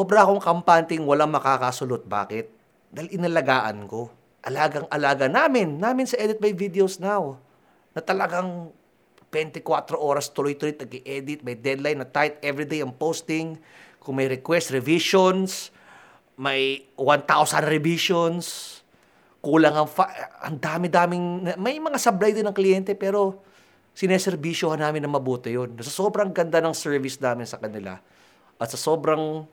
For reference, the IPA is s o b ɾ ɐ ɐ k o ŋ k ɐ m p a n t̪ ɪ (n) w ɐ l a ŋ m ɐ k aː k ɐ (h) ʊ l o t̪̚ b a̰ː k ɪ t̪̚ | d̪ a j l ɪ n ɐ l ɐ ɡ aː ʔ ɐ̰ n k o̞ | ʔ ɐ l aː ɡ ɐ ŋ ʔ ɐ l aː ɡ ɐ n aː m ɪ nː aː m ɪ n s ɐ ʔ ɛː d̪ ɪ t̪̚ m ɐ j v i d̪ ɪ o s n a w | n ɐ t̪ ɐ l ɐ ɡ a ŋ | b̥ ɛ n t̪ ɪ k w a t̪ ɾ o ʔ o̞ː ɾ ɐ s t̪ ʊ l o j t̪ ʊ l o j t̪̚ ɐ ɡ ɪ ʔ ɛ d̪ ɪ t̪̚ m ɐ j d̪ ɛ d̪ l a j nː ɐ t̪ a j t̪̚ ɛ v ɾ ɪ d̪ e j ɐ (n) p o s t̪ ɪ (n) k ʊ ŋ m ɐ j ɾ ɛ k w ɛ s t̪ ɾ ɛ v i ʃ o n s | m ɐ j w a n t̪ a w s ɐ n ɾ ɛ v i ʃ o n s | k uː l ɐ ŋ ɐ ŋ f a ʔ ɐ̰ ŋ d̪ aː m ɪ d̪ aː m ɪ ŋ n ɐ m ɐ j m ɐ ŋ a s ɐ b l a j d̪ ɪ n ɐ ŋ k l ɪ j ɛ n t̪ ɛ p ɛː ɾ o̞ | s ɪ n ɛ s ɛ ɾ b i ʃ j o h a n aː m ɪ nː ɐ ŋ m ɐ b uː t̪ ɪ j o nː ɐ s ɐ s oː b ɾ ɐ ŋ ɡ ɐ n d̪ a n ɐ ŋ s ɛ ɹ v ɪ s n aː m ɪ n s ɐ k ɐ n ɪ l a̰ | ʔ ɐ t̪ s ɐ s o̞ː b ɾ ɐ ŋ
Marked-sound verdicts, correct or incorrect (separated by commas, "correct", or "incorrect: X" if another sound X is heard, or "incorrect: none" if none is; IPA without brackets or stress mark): incorrect: ŋ, incorrect: s, incorrect: ŋ, incorrect: ŋ